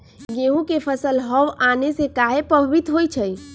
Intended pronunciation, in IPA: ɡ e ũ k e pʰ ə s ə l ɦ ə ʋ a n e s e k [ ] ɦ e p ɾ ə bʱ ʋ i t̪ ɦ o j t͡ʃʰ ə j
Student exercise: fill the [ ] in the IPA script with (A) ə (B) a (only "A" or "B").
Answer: B